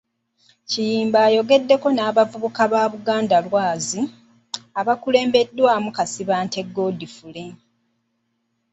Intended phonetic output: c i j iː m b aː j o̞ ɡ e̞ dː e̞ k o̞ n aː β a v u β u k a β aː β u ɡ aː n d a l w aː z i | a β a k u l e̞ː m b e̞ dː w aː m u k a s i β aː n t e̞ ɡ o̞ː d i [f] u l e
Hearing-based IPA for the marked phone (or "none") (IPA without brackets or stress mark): f